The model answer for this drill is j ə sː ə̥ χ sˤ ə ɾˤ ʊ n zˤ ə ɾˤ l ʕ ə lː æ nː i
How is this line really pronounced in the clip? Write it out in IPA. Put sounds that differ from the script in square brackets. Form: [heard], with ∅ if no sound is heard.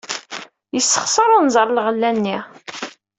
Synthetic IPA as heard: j ə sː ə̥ χ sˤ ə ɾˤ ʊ n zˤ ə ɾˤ l [ʁ] ə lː æ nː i